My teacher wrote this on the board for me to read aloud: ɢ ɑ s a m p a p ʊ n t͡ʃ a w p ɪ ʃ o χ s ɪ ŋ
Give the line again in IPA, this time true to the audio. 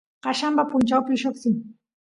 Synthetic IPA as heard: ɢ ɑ ʃ a m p a p ʊ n t͡ʃ a w p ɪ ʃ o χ s ɪ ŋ